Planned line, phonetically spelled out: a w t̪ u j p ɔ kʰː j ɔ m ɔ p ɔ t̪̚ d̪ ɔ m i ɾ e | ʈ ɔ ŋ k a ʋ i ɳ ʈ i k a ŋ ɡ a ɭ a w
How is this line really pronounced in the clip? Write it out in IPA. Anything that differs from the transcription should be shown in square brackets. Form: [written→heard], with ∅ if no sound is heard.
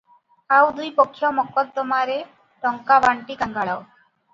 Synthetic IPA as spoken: a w [t̪→d̪] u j p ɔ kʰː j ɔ m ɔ [p→k] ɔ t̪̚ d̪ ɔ m [i→a] ɾ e | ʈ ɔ ŋ k a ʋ [i→a] ɳ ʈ i k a ŋ ɡ a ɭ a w